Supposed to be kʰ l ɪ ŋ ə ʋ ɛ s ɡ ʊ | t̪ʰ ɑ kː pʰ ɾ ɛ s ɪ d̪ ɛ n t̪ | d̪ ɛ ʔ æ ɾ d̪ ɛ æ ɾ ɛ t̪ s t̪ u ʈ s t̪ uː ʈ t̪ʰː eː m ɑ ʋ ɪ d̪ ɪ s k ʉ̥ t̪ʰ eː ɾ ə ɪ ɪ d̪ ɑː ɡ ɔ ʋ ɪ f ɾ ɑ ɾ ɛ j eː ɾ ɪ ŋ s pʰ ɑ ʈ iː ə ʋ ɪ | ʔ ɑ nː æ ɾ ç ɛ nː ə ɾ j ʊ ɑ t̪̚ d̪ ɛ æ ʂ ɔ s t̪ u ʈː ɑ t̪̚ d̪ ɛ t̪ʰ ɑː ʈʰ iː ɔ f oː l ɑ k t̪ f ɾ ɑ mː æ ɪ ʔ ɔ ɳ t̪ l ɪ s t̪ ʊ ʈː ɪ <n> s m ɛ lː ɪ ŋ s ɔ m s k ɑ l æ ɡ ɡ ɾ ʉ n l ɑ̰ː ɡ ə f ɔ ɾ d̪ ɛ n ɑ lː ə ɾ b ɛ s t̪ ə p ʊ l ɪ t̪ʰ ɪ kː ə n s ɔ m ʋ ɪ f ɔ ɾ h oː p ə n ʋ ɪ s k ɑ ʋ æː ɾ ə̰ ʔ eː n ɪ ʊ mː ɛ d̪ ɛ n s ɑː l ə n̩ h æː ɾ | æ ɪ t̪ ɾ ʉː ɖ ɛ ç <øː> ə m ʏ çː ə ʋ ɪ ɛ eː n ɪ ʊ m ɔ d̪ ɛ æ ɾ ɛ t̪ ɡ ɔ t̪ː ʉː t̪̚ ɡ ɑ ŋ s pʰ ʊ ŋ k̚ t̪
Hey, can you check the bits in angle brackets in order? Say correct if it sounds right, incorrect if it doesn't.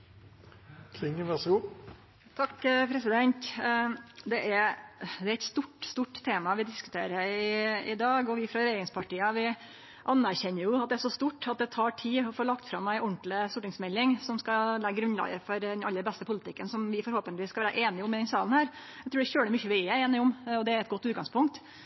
incorrect: ŋ, correct

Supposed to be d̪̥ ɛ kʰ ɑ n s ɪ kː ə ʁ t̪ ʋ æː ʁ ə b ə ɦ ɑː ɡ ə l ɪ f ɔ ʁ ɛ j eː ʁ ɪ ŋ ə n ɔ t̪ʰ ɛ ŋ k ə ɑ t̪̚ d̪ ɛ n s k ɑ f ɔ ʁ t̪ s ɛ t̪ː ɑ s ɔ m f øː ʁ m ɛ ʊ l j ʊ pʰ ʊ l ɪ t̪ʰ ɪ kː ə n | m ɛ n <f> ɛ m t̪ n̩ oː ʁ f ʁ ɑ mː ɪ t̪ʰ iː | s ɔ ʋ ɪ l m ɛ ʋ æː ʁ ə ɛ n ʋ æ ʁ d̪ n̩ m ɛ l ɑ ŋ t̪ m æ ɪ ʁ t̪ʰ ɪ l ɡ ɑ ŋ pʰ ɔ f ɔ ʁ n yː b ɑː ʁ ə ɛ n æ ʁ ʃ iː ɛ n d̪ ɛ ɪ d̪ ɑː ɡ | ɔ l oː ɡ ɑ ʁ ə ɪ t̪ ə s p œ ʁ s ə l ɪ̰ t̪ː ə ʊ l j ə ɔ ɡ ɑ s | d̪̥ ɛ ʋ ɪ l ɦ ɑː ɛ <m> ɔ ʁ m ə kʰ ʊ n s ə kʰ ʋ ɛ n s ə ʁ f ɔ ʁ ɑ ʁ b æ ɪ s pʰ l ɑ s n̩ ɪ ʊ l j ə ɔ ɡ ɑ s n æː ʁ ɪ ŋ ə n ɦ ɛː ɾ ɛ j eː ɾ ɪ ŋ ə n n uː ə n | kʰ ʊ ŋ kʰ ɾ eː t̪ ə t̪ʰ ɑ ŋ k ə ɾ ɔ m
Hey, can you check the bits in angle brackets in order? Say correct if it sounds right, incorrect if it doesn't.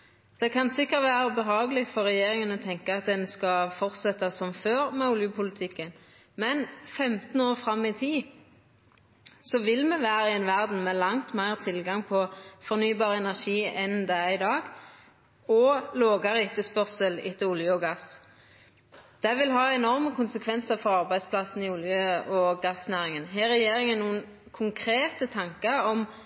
correct, incorrect: n

